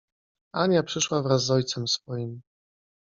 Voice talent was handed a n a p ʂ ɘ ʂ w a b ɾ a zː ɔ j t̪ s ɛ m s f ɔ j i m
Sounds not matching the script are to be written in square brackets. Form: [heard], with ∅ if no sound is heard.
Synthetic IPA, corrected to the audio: a [ɲ] a p ʂ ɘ ʂ w a [v] ɾ a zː ɔ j t̪ s ɛ m s f ɔ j i m